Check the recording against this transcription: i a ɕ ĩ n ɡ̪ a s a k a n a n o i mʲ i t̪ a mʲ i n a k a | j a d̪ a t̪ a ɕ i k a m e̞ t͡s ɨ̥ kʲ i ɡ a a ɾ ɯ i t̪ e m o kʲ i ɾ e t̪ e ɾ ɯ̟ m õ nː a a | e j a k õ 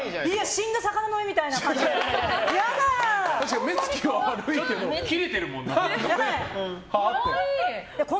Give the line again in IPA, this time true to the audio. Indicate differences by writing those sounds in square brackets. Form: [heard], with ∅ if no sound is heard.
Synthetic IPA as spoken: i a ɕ ĩ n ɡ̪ a s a k a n a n o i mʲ i t̪ a [∅] i n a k a | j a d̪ a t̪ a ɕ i k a m e̞ t͡s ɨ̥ kʲ i ɡ a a ɾ ɯ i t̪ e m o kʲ i ɾ e t̪ e ɾ ɯ̟ m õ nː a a | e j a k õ